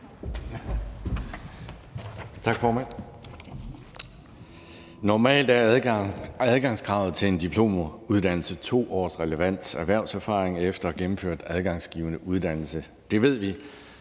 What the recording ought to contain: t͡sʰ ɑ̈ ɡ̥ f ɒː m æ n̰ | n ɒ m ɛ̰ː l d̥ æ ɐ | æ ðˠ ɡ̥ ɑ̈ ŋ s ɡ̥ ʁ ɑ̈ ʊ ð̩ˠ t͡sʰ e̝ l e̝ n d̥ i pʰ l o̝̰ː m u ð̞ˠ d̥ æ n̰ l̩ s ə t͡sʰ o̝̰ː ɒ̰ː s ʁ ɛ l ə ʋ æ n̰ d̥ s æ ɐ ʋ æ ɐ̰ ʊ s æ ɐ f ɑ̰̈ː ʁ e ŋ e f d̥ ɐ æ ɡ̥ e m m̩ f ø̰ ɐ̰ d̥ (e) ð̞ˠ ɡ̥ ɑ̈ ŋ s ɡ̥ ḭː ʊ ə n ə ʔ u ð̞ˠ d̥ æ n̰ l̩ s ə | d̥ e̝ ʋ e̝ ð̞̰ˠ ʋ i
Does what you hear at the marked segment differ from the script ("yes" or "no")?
yes